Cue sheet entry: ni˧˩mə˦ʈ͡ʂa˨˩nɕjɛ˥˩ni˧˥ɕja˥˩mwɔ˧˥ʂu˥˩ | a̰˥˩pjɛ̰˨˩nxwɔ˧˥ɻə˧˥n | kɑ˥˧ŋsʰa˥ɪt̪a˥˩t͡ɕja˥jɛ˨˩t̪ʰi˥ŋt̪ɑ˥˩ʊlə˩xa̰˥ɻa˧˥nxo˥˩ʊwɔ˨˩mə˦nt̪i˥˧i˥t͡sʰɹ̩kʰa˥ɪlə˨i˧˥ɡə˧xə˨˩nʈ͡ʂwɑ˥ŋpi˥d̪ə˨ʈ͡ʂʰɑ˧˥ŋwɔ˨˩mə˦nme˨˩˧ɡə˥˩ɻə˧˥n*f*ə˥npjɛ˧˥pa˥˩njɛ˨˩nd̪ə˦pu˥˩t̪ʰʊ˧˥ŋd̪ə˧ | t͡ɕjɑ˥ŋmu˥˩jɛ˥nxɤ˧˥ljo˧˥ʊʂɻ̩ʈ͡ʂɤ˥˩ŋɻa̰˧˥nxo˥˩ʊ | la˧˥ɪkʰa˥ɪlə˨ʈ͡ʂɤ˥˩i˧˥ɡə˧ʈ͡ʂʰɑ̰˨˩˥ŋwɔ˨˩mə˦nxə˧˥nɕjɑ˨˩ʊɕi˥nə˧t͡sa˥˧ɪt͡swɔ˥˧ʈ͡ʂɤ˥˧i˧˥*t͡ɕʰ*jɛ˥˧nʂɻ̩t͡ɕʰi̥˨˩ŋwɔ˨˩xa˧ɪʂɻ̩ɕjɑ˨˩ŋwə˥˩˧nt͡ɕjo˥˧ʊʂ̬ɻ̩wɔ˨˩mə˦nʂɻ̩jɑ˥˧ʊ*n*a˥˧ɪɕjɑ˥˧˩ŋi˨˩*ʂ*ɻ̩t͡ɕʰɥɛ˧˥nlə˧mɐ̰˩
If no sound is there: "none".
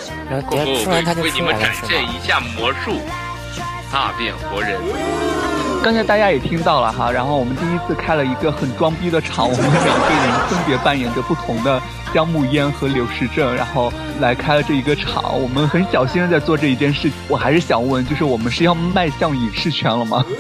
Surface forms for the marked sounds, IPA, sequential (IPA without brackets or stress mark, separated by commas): f, t͡ɕ, m, ʂ